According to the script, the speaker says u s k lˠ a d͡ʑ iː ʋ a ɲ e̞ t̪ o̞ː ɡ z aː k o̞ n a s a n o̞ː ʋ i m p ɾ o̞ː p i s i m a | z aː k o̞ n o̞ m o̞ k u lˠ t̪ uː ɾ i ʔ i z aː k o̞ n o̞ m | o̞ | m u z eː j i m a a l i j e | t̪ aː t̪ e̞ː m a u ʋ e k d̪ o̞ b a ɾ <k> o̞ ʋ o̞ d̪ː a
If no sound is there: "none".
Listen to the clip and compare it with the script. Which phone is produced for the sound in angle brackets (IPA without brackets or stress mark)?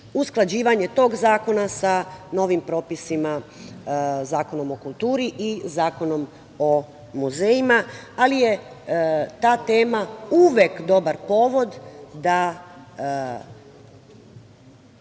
p